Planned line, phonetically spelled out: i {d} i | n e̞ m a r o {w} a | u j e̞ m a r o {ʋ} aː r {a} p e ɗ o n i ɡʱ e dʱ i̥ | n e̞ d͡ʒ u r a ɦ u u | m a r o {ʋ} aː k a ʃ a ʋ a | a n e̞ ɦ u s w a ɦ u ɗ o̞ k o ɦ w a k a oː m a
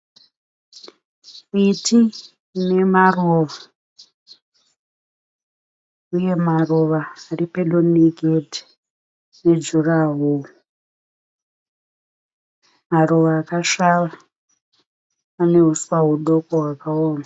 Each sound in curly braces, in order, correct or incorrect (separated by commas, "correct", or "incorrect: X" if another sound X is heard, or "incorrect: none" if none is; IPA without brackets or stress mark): incorrect: t, incorrect: ʋ, correct, incorrect: i, correct